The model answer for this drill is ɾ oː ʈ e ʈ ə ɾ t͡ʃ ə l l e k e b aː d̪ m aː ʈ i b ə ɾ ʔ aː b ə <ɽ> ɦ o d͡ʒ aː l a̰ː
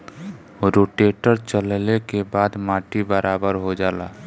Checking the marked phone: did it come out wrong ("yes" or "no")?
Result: yes